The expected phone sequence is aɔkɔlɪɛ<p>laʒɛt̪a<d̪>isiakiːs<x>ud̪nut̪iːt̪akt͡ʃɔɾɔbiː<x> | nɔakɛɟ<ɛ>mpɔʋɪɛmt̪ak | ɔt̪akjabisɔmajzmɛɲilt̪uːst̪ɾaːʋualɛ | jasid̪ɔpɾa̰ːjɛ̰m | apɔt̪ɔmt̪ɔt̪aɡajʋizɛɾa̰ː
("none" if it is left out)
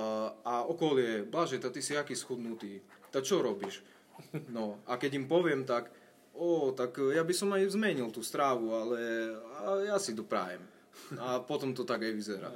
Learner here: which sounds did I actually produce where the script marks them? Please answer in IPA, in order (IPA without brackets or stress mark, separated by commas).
b, t̪, x, ʃ, i